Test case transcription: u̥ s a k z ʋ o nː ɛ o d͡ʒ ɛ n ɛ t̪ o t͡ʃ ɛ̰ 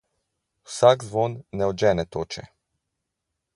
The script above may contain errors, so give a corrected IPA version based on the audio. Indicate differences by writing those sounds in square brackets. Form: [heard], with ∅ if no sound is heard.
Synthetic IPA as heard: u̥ s a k z ʋ o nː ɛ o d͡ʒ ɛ n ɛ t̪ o t͡ʃ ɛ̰